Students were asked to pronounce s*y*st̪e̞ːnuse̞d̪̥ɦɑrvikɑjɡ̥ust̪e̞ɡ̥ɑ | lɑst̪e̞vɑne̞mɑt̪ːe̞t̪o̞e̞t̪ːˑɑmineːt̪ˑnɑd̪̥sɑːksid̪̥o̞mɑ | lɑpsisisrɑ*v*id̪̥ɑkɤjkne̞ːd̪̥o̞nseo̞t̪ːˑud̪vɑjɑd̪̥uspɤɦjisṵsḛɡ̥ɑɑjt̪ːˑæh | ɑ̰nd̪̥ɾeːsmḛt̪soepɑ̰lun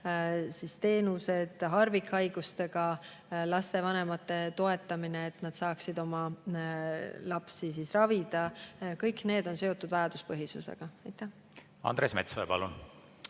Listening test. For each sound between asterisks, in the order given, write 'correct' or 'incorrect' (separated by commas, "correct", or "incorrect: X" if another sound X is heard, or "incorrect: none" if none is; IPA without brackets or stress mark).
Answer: incorrect: i, correct